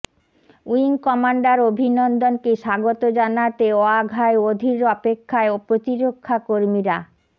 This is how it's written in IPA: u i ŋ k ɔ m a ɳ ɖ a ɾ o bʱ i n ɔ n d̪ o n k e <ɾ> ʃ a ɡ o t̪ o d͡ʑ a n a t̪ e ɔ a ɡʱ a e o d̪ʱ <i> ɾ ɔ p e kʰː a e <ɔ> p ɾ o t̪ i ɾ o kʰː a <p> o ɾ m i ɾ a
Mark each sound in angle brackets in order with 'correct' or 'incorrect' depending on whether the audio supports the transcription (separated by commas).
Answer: incorrect, correct, incorrect, incorrect